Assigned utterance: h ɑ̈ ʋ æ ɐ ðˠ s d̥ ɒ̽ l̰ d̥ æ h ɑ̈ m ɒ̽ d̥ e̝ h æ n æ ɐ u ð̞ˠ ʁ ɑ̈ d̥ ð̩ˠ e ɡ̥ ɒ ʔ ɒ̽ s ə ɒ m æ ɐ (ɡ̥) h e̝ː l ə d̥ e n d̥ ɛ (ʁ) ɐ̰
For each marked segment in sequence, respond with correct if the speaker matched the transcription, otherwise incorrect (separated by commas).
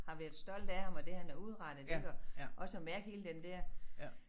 correct, incorrect